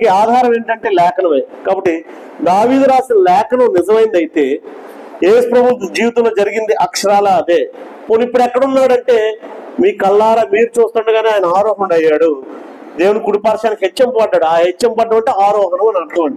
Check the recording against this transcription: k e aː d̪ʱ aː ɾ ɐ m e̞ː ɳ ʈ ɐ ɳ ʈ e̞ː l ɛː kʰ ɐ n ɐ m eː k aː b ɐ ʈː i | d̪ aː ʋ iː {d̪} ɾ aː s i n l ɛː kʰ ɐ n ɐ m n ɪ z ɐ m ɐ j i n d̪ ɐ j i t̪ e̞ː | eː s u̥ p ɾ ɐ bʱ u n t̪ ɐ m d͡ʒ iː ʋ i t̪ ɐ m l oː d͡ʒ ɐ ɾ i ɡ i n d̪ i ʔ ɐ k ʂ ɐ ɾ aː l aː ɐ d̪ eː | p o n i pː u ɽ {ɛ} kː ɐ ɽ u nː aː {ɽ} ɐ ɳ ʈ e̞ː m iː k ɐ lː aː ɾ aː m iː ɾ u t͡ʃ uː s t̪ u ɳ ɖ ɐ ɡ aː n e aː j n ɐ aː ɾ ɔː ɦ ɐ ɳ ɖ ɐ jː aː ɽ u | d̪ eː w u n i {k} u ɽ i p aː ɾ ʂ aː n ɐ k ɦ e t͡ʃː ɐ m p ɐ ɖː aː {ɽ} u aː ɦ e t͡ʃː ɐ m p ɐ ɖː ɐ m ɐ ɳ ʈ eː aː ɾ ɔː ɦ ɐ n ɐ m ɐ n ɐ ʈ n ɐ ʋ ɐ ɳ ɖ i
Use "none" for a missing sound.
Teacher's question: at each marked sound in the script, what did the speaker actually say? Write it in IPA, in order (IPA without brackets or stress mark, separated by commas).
d̪, ɛ, ɽ, k, ɽ